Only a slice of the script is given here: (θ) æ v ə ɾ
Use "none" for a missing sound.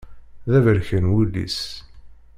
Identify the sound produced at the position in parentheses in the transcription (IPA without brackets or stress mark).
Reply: ð